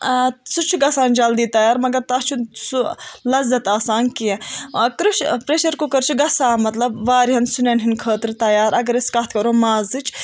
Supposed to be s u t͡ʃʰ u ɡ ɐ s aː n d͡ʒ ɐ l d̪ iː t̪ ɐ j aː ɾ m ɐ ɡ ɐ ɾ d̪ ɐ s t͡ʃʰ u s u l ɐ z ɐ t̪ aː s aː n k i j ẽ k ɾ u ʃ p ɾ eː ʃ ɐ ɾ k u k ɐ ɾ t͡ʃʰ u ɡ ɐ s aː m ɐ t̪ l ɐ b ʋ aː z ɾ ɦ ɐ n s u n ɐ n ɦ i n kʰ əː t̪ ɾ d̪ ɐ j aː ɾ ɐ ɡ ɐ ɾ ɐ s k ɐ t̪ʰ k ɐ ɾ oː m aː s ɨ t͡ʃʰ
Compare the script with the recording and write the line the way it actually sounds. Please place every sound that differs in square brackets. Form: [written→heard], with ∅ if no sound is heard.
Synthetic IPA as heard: s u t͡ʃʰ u ɡ ɐ s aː n d͡ʒ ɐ l d̪ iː t̪ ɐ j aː ɾ m ɐ ɡ ɐ ɾ [d̪→t̪] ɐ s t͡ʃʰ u s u l ɐ z ɐ t̪ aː s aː n k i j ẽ k ɾ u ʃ p ɾ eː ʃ ɐ ɾ k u k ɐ ɾ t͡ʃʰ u ɡ ɐ s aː m ɐ t̪ l ɐ b ʋ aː [z→∅] ɾ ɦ ɐ n s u n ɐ n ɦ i n kʰ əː t̪ ɾ [d̪→t̪] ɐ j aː ɾ ɐ ɡ ɐ ɾ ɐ s k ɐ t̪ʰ k ɐ ɾ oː m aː [s→z] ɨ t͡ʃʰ